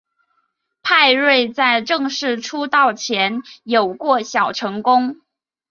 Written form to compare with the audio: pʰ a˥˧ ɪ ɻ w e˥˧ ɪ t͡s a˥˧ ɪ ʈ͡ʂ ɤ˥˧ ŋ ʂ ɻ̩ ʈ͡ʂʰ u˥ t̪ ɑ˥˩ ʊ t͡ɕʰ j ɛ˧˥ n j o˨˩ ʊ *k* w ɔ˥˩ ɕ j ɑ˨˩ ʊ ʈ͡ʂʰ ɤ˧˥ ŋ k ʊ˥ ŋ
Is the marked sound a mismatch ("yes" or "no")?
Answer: no